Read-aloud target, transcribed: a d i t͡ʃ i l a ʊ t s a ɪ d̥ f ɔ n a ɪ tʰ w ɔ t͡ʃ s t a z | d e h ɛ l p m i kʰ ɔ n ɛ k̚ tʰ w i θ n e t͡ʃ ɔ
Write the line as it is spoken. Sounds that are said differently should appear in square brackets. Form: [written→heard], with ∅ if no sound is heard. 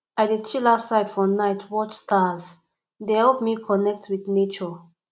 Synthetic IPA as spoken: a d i t͡ʃ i l a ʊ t s a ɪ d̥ f ɔ n a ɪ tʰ w ɔ t͡ʃ s t a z | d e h ɛ l p m i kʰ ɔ n ɛ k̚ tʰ w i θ n e t͡ʃ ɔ